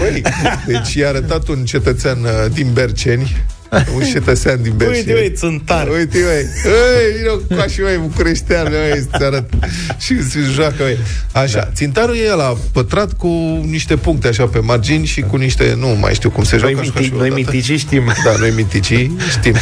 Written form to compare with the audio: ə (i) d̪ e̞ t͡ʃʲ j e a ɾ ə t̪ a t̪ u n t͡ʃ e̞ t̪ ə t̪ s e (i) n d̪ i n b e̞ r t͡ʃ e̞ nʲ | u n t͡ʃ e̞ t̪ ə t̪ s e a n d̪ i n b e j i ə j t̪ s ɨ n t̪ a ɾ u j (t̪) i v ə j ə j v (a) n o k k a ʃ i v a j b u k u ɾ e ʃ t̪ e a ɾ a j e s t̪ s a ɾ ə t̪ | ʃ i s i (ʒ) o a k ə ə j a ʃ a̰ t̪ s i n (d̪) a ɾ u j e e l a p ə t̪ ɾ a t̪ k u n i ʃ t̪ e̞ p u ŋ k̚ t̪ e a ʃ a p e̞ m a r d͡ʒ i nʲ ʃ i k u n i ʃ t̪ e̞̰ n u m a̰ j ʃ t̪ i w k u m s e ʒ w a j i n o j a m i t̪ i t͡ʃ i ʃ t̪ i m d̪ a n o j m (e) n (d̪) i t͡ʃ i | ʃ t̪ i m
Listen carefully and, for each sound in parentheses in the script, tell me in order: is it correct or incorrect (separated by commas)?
incorrect, incorrect, correct, incorrect, correct, incorrect, incorrect, incorrect